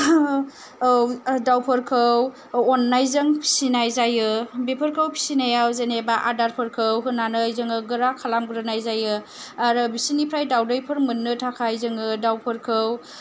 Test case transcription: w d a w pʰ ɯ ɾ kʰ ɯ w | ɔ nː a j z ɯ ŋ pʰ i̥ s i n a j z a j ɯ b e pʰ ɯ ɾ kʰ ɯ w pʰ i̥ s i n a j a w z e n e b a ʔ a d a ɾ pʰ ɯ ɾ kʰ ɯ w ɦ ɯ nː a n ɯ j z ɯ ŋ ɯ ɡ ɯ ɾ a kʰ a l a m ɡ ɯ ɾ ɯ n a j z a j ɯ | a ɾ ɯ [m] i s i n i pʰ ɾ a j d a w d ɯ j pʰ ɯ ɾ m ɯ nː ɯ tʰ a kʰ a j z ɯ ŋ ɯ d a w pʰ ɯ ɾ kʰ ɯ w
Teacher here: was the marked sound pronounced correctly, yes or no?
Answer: no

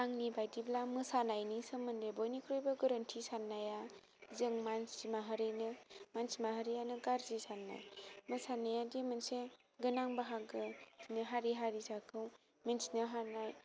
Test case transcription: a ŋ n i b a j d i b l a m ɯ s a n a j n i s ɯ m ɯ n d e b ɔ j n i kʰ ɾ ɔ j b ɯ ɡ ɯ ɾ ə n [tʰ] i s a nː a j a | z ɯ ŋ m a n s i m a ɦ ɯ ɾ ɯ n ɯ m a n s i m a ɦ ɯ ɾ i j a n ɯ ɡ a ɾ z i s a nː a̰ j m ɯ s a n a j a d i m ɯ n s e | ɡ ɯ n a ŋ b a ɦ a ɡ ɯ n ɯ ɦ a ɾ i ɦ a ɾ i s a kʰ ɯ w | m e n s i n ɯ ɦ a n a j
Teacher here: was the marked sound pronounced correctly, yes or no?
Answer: yes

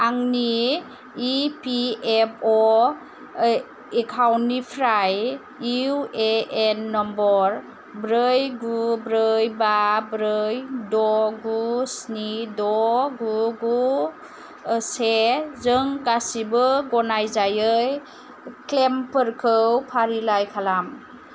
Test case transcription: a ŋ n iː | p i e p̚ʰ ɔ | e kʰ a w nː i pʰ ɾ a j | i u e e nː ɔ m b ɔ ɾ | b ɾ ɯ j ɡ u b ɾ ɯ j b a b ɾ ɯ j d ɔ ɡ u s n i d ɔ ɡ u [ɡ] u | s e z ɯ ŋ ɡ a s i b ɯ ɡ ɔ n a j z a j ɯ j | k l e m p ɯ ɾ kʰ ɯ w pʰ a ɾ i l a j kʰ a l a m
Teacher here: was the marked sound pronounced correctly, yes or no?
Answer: yes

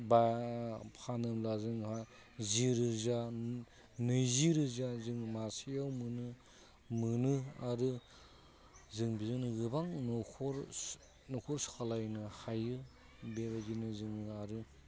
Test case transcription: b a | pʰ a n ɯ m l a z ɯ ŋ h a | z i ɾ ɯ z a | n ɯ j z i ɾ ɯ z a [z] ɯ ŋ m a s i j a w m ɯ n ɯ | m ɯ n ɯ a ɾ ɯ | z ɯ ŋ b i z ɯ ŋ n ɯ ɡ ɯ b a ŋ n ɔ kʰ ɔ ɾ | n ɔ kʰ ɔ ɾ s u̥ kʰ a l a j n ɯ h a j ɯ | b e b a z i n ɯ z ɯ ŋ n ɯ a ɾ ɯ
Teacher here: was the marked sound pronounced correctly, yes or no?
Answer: yes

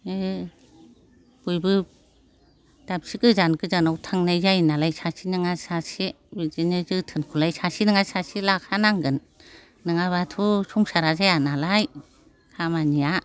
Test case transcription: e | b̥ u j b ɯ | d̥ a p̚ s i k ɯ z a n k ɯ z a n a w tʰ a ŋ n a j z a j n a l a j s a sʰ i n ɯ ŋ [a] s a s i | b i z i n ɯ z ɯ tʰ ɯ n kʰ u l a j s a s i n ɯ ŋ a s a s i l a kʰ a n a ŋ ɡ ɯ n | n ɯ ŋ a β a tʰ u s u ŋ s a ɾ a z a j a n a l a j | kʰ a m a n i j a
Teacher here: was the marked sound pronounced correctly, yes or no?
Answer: yes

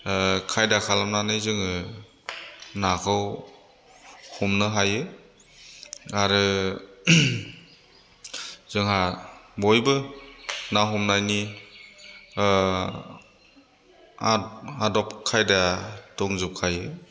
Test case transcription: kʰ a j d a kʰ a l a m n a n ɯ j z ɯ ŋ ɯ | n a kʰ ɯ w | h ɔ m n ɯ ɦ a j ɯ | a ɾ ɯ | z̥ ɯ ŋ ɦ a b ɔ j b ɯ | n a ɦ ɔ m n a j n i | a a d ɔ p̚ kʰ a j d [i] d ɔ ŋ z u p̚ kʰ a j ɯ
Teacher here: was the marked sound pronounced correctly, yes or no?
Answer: no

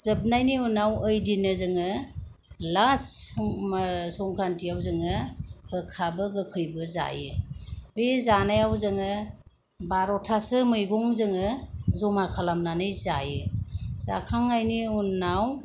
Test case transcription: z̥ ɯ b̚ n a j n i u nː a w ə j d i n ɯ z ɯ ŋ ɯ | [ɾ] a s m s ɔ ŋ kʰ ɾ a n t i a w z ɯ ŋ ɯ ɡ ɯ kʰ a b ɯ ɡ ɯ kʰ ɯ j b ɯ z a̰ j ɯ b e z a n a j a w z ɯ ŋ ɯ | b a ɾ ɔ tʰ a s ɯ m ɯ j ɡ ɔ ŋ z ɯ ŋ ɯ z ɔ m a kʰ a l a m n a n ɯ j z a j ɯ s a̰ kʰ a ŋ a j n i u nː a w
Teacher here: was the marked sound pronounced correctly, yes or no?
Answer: no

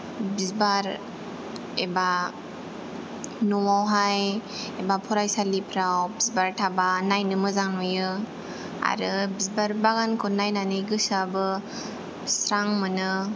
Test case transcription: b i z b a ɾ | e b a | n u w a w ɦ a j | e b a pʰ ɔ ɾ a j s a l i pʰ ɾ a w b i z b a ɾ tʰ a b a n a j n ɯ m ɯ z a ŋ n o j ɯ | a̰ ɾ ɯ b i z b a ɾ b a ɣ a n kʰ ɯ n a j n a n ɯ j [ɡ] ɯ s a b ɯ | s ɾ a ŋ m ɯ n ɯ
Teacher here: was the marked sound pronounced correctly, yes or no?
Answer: yes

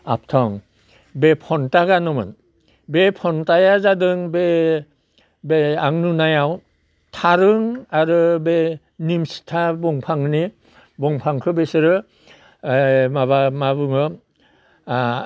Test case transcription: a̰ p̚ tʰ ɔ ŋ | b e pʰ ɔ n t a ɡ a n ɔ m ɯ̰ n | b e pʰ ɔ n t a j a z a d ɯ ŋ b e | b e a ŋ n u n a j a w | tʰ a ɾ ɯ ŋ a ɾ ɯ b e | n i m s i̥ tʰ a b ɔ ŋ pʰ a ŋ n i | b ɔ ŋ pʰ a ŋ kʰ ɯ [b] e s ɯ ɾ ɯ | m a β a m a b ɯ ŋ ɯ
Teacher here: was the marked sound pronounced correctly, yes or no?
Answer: yes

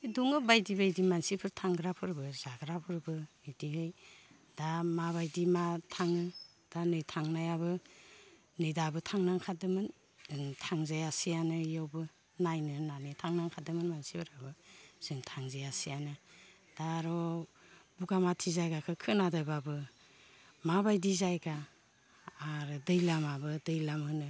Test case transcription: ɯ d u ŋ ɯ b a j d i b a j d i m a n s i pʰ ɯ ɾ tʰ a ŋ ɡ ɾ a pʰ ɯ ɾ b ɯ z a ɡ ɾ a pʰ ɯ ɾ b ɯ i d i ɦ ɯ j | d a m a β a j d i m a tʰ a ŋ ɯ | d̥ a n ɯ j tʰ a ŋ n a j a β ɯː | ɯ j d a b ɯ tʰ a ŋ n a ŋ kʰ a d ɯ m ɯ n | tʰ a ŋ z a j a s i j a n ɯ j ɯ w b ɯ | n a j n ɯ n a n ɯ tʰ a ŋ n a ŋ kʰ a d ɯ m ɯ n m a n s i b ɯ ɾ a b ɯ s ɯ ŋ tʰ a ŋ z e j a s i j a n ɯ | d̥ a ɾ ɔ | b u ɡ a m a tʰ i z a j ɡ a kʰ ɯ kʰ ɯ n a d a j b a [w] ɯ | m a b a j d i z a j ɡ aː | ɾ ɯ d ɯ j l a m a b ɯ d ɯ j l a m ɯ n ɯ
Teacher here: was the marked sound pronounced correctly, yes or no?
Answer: no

